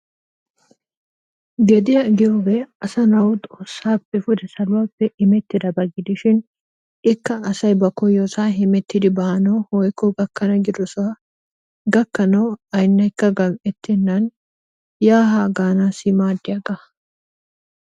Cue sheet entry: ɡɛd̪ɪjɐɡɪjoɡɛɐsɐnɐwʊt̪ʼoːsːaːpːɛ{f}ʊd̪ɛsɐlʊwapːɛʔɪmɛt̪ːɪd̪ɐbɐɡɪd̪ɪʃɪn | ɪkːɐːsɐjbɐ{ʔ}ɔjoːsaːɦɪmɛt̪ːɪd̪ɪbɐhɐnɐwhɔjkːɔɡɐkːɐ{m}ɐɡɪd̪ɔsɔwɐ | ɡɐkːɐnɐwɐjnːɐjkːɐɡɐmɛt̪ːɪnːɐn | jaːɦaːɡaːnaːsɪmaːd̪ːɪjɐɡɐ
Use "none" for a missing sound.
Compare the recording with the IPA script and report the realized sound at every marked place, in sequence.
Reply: f, k, n

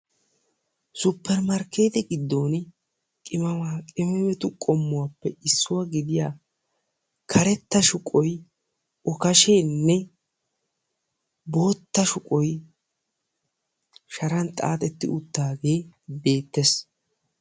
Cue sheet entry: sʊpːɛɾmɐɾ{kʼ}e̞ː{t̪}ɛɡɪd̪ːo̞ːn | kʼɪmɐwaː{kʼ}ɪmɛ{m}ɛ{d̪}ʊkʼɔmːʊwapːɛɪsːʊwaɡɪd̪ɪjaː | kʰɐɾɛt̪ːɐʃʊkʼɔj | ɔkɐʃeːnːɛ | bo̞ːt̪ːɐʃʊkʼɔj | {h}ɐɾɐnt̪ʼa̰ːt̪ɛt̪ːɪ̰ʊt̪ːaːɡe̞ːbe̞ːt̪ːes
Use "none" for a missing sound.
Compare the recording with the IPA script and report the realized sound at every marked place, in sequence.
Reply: k, t̪, kʼ, m, t̪, ʃ

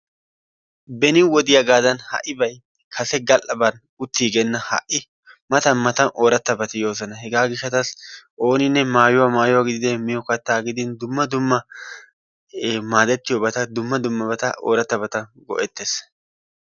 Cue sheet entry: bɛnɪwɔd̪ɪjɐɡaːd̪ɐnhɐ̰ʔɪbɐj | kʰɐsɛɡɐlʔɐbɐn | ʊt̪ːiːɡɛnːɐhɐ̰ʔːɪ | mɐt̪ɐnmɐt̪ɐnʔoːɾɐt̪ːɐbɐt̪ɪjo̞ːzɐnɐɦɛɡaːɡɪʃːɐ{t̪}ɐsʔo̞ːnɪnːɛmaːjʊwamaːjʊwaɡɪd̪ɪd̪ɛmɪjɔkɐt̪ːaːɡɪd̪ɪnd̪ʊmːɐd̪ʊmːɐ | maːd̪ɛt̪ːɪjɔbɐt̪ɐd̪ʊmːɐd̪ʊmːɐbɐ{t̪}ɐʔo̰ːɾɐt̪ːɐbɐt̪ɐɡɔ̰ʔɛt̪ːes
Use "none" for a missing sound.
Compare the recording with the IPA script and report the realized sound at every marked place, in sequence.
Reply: t̪, t̪

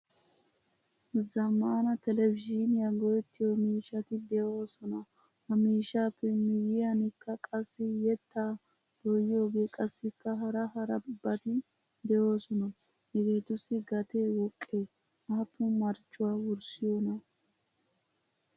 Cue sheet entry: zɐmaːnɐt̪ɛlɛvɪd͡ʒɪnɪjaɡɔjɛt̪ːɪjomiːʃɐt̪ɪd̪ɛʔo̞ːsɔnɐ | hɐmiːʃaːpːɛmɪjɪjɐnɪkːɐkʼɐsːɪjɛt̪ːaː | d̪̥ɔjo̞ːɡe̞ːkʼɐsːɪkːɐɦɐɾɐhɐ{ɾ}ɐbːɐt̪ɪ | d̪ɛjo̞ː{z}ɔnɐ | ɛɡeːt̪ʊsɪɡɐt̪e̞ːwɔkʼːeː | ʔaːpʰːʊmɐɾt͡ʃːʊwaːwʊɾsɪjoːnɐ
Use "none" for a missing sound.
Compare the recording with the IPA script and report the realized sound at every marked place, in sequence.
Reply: ɾ, s

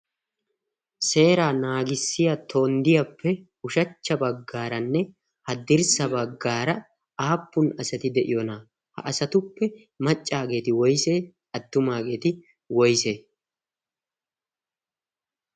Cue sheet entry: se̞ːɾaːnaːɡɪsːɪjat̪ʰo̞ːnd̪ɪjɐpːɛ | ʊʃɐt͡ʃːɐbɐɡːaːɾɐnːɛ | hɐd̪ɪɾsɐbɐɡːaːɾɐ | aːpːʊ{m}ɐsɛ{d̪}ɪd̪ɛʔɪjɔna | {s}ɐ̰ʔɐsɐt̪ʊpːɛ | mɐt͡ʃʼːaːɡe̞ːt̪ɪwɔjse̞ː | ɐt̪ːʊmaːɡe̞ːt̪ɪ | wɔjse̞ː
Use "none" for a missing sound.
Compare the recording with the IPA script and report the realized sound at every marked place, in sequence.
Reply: n, t̪, h

